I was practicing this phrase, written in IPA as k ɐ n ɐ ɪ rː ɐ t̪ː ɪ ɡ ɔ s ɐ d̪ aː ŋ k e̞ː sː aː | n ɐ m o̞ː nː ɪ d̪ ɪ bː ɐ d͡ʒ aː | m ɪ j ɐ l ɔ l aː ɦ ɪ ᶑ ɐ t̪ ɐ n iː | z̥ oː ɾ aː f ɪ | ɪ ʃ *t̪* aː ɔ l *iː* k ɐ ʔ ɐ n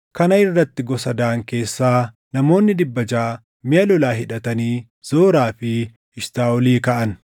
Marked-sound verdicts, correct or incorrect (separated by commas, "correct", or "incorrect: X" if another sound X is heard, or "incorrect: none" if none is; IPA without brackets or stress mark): correct, correct